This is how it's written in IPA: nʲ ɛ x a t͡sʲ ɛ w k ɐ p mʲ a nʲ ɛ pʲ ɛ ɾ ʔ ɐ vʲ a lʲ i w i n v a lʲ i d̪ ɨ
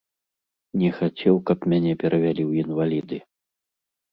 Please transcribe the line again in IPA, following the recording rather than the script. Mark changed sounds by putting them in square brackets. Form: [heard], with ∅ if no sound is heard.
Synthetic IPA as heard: nʲ ɛ x a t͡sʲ ɛ w k ɐ p mʲ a nʲ ɛ pʲ ɛ ɾ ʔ ɐ vʲ a lʲ i w i n v a lʲ i d̪ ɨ